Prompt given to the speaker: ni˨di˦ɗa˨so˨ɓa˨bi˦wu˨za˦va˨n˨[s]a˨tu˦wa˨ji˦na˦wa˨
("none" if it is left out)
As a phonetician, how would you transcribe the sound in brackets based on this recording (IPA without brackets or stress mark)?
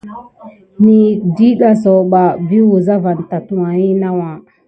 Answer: t